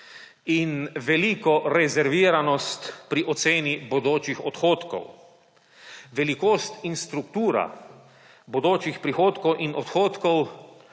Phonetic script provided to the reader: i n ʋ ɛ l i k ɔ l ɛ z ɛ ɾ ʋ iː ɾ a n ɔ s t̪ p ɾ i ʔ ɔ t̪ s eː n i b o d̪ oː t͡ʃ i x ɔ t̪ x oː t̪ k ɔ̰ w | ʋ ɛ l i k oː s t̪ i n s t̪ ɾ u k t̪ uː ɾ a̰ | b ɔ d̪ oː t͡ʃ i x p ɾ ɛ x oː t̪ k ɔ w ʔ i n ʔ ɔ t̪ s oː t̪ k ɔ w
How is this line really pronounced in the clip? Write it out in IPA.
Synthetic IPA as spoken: i n ʋ ɛ l i k ɔ ɾ ɛ z ɛ ɾ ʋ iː ɾ a n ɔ s t̪ p ɾ i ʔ ɔ t̪ s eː n i b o d̪ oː t͡ʃ i x ɔ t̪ x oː t̪ k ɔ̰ w | ʋ ɛ l i k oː s t̪ i n s t̪ ɾ u k t̪ uː ɾ a̰ | b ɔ d̪ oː t͡ʃ i x p ɾ i x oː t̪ k ɔ w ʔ i n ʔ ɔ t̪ x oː t̪ k ɔ w